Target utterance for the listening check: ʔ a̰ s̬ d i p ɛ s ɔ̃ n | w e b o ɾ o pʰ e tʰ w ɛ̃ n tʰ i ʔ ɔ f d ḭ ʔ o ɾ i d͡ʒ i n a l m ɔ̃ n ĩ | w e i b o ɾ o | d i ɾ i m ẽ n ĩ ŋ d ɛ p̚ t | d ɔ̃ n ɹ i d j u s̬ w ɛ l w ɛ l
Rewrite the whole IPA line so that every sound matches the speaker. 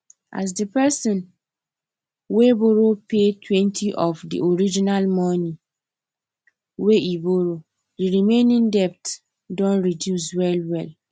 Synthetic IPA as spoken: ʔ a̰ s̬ d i p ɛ s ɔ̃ n | w e b o ɾ o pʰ e tʰ w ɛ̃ n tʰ i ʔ ɔ f d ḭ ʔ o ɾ i d͡ʒ i n a l m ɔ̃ n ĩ | w e i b o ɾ o | d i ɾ i m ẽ n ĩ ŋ d ɛ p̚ t | d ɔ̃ n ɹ i d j u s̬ w ɛ l w ɛ l